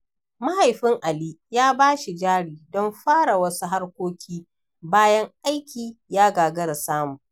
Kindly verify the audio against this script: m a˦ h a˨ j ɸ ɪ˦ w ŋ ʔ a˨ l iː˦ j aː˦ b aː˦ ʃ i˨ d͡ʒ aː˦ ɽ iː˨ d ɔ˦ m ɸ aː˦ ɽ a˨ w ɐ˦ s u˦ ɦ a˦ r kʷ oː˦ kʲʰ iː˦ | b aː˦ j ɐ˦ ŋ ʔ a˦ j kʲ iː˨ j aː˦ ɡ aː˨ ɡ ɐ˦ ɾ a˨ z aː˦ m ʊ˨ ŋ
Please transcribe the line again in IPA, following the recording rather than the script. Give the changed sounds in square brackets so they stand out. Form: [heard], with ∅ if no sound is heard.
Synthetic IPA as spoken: m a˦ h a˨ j ɸ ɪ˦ [∅] ŋ ʔ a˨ l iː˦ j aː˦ b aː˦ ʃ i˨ d͡ʒ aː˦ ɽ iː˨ d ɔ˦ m ɸ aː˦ ɽ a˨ w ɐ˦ s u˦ ɦ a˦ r kʷ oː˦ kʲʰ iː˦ | b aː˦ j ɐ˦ ŋ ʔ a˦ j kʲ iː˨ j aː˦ ɡ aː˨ ɡ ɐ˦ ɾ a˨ [s] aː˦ m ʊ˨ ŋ